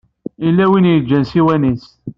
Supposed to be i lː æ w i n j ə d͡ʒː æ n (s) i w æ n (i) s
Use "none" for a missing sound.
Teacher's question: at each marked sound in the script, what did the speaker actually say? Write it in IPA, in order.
s, i

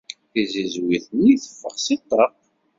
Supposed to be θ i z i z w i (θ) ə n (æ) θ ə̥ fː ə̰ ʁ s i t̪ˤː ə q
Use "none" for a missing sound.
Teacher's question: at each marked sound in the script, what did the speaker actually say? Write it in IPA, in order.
θ, i

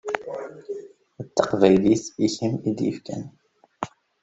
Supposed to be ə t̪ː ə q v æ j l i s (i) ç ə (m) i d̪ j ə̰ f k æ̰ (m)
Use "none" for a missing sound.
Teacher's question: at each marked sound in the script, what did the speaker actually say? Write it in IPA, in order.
i, m, n

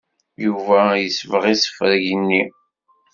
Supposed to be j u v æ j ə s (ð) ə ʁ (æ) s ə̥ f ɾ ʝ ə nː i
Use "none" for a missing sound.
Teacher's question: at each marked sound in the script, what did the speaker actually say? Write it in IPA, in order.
v, i

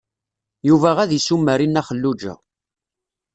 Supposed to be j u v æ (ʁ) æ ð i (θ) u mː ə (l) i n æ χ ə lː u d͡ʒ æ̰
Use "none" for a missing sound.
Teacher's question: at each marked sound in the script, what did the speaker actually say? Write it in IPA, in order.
ʁ, s, ɾ

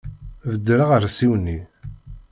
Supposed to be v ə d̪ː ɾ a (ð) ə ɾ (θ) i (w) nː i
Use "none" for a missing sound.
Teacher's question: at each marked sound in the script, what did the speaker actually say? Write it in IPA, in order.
ʁ, s, w

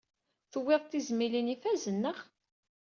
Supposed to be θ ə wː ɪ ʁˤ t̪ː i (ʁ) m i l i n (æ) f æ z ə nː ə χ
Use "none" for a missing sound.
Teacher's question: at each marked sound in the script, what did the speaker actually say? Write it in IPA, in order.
z, i

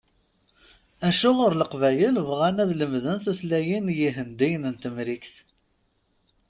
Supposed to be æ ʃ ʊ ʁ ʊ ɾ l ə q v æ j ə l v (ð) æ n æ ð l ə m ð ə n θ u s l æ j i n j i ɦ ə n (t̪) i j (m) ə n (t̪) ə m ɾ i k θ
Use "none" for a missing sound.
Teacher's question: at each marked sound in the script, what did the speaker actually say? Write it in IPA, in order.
ʁ, d̪, n, t̪

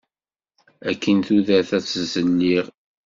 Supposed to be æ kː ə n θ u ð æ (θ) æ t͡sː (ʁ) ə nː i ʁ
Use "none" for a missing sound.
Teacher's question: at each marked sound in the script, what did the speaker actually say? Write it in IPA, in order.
θ, z

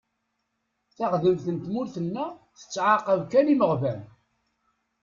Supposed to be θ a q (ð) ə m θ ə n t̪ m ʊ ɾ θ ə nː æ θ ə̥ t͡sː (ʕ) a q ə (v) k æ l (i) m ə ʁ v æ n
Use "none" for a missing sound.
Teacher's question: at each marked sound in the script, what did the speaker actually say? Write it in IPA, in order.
ð, ʕ, v, i

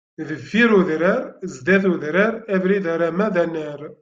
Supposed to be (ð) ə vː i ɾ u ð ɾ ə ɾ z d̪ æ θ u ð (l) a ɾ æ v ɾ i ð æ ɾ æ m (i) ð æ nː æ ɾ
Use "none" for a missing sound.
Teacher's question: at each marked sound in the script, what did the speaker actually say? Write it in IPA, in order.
ð, ɾ, æ

